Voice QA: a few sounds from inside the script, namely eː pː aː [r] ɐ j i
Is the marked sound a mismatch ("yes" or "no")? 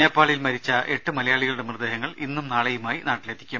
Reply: yes